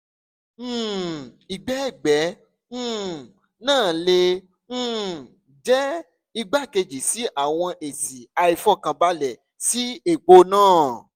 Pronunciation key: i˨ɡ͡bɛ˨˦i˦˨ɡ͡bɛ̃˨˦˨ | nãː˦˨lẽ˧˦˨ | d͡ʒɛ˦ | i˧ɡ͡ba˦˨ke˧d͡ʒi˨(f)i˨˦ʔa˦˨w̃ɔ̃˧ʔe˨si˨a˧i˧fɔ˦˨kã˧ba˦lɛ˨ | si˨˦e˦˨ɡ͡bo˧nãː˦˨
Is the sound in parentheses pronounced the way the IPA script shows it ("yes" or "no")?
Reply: no